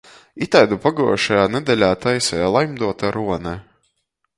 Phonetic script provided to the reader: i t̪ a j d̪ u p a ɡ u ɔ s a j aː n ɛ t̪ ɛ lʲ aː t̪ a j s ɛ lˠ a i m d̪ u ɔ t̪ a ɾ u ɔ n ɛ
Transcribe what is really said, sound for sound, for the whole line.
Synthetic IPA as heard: i t̪ a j d̪ u p a ɡ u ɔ ʃ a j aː n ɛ d̪ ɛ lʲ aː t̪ a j s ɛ lˠ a j m d̪ u ɔ t̪ a ɾ u ɔ n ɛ